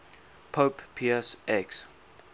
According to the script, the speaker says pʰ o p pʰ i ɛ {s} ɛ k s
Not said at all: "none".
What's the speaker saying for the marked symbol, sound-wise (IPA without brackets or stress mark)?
s